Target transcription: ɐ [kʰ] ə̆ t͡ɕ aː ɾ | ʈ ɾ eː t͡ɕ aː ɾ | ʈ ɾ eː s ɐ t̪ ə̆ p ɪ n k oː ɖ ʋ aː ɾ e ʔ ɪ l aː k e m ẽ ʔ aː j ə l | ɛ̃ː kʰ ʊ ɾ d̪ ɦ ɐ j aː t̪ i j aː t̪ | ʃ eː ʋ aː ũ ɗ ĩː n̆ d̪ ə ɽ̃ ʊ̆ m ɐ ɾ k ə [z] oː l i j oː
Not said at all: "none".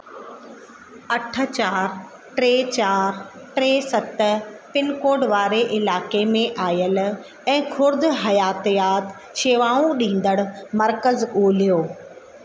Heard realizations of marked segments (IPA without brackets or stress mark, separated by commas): ʈʰ, z